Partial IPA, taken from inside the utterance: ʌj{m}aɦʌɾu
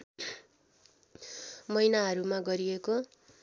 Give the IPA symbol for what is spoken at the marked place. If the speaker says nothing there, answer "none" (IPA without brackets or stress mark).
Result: n